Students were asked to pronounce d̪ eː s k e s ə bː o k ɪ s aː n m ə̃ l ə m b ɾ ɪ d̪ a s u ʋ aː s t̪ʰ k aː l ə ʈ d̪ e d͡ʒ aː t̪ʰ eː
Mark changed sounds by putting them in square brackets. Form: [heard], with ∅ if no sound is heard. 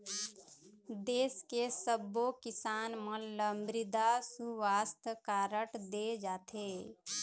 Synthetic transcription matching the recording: d̪ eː s k e s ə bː o k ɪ s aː n m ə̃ l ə m b ɾ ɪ d̪ a s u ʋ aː s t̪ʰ k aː [ɾ] ə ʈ d̪ e d͡ʒ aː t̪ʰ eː